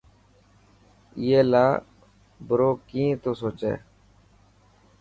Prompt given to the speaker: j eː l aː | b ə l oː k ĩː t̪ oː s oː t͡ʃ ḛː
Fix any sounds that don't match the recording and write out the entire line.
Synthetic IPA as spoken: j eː l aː | b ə ɾ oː k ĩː t̪ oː s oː t͡ʃ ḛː

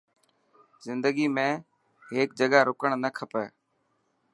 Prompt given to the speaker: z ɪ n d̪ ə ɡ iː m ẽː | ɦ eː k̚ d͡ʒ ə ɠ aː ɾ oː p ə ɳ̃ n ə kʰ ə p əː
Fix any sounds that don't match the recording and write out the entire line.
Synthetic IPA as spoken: z ɪ n d̪ ə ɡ iː m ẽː | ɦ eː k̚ d͡ʒ ə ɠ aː ɾ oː k ə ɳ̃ n ə kʰ ə p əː

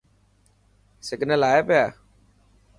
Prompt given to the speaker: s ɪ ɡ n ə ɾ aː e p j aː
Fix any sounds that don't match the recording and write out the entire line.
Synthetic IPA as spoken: s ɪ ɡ n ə l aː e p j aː

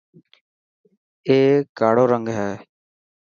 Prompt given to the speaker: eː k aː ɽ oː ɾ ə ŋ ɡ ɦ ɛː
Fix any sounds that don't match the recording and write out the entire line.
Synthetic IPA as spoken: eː k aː ɽ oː ɾ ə ŋ ɡ ɦ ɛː

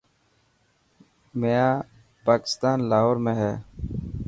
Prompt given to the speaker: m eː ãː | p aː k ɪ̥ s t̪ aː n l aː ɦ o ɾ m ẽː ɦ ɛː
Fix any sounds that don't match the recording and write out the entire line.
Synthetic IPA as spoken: m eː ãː | p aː k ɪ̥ s t̪ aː n l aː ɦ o ɾ m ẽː ɦ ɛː

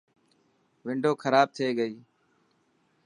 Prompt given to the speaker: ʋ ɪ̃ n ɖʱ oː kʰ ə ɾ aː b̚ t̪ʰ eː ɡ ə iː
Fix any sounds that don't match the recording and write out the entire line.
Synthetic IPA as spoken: ʋ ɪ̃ ɳ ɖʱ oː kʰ ə ɾ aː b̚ t̪ʰ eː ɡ ə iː

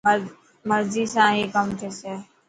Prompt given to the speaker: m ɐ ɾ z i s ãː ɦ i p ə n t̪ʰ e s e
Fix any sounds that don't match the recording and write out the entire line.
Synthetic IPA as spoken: m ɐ ɾ z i s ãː ɦ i k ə m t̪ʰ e s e

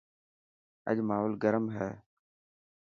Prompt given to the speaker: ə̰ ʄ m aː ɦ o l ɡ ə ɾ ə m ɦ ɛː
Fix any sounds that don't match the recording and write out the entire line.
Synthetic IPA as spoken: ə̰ ʄ m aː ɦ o l ɡ ə ɾ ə m ɦ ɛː

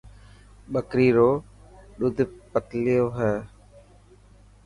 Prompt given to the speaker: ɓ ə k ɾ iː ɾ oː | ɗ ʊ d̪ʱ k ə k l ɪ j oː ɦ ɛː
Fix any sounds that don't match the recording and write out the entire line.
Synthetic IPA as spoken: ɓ ə k ɾ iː ɾ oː | ɗ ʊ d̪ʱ p ə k l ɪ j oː ɦ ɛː

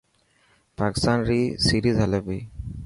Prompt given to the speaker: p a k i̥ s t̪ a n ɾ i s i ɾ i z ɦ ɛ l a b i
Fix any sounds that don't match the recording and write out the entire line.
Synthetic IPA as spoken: p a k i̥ s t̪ a n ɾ i s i ɾ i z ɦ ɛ l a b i

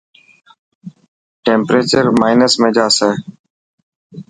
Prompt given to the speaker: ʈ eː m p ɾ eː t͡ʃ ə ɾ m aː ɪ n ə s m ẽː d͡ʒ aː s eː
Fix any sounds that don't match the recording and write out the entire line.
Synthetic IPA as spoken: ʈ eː m p ɾ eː t͡ʃ ə ɾ m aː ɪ n ə s m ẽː d͡ʒ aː s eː

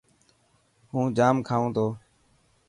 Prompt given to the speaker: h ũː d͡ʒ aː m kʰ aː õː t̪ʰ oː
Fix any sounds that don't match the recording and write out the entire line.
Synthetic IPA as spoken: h ũː d͡ʒ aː m kʰ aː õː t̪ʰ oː

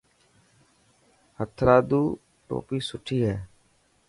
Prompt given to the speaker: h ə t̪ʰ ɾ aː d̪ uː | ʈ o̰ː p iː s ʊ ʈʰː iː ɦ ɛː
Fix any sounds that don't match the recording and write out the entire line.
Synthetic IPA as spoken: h ə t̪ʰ ɾ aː d̪ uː | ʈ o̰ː p iː s ʊ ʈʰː iː ɦ ɛː

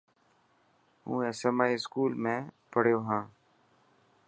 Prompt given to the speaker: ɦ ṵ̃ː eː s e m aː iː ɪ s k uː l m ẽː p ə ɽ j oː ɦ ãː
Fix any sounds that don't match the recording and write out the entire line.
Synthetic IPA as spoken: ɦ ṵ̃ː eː s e m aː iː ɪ s k uː l m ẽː p ə ɽ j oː ɦ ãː

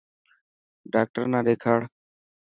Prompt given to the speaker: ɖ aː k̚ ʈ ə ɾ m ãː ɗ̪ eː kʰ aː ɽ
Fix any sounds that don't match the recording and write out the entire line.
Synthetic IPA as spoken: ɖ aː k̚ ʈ ə ɾ n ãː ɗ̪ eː kʰ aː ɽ

